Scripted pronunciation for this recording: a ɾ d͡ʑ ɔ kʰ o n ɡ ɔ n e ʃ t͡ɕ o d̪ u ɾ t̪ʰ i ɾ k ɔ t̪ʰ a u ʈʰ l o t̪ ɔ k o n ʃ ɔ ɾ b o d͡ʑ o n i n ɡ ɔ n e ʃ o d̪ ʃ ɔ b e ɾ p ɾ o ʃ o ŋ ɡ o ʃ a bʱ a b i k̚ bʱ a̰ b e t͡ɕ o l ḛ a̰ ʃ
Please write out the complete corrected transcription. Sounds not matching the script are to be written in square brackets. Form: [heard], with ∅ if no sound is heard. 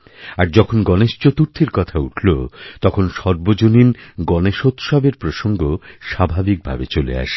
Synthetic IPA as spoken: a ɾ d͡ʑ ɔ kʰ o n ɡ ɔ n e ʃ t͡ɕ o [t̪] u ɾ t̪ʰ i ɾ k ɔ t̪ʰ a u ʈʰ l o t̪ ɔ [kʰ] o n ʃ ɔ ɾ b o d͡ʑ o n i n ɡ ɔ n e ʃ o [t̪] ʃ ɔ b e ɾ p ɾ o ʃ o ŋ ɡ o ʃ a bʱ a b i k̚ bʱ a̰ b e t͡ɕ o l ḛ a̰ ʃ

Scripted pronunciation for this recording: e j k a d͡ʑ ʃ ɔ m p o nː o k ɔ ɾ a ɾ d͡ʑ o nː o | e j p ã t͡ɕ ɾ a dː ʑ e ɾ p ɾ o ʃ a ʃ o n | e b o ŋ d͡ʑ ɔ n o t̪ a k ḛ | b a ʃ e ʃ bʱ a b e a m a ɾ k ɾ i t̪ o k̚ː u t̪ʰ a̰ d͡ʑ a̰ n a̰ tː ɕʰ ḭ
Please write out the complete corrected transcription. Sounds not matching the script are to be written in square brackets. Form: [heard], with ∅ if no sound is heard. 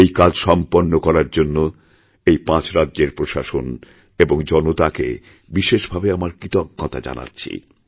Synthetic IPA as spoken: e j k a d͡ʑ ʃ ɔ m p o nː o k ɔ ɾ a ɾ d͡ʑ o nː o | e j p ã t͡ɕ ɾ a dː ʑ e ɾ p ɾ o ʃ a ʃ o n | e b o ŋ d͡ʑ ɔ n o t̪ a k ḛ | b [i] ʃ e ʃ bʱ a b e a m a ɾ k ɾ i t̪ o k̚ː [ɔ] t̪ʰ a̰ d͡ʑ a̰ n a̰ tː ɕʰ ḭ

